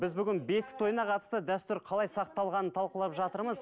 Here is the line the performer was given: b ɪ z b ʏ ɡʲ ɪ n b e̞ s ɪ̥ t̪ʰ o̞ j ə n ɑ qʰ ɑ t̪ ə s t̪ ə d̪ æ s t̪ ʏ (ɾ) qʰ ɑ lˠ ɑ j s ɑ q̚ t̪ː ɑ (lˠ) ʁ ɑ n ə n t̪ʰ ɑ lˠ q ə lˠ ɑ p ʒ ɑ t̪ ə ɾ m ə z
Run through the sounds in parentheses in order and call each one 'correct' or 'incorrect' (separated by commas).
correct, correct